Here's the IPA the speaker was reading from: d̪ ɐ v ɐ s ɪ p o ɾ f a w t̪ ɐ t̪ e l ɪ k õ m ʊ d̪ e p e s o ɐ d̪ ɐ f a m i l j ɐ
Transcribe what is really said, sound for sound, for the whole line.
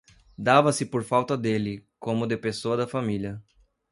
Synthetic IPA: d̪ a v ɐ s ɪ p o ɾ f a w t̪ ɐ d̪ e l ɪ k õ m ʊ d̪ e p e s o ɐ d̪ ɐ f a m i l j ɐ